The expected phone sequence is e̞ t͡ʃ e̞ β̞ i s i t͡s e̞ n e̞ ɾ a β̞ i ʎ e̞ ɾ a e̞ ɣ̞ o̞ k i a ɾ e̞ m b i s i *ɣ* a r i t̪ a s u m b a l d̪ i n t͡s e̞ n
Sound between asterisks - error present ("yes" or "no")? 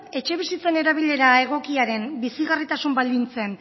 no